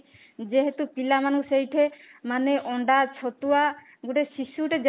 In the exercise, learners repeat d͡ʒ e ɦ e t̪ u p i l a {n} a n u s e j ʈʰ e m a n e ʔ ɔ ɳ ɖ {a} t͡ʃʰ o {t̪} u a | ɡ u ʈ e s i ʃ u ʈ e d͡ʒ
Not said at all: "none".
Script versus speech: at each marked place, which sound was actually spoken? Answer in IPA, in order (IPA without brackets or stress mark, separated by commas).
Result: m, a, t̪